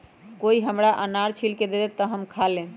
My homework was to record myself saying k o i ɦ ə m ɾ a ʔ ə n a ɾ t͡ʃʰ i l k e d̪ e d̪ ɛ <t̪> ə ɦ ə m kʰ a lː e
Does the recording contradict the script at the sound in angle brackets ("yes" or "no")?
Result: no